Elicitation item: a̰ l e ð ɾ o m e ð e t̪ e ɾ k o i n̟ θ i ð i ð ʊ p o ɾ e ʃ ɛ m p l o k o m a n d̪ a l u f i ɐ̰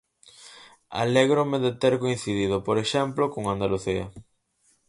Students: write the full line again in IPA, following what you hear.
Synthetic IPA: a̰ l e ɣ ɾ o m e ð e t̪ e ɾ k o i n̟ θ i ð i ð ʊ p o ɾ e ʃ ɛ m p l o k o ŋ a n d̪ a l u θ i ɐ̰